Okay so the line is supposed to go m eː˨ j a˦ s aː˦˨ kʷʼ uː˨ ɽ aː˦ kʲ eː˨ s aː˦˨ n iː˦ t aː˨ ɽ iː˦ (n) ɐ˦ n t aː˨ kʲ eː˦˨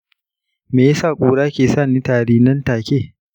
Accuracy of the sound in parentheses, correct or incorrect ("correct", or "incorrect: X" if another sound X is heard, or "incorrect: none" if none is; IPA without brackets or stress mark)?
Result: correct